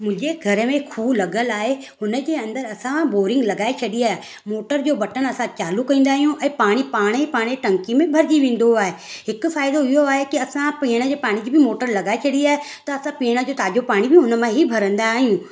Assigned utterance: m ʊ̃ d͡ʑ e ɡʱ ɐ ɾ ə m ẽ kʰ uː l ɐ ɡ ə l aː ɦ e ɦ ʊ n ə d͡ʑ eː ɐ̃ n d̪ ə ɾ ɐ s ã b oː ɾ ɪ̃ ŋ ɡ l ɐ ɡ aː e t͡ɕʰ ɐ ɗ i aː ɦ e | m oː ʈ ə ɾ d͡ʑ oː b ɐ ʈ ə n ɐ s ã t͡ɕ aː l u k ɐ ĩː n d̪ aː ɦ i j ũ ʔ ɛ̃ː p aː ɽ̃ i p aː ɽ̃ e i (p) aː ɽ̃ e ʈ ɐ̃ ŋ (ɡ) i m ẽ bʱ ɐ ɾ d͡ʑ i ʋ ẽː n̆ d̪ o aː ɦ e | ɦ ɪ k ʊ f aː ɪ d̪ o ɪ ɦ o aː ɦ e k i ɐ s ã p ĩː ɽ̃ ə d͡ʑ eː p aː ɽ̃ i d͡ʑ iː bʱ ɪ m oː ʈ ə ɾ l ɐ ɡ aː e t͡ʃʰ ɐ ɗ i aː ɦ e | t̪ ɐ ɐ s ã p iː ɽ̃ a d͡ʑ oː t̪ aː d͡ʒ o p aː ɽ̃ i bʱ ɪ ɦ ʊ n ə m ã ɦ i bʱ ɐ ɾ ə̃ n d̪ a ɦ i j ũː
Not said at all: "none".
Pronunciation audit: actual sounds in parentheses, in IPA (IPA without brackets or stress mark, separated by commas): p, k